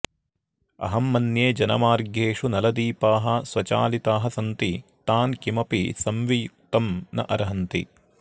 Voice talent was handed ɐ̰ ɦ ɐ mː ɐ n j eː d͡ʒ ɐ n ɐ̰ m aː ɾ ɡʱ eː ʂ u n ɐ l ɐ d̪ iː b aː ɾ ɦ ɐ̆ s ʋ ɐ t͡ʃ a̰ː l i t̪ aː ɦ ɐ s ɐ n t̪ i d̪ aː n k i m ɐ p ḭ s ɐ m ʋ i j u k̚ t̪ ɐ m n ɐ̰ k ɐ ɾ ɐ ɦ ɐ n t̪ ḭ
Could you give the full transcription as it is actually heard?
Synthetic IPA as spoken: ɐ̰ ɦ ɐ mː ɐ n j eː d͡ʒ ɐ n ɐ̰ m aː ɾ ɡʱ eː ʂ u n ɐ l ɐ d̪ iː p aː ɦ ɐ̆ s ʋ ɐ t͡ʃ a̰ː l i t̪ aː ɦ ɐ s ɐ n t̪ i t̪ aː n k i m ɐ p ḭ s ɐ m ʋ i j u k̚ t̪ ɐ m n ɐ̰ ʔ ɐ ɾ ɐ ɦ ɐ n t̪ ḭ